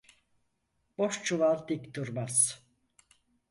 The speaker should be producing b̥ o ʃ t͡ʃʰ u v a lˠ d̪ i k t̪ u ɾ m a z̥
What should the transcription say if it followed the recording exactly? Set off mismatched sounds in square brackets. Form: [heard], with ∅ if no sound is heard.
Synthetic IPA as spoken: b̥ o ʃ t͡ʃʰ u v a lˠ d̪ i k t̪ u ɾ m a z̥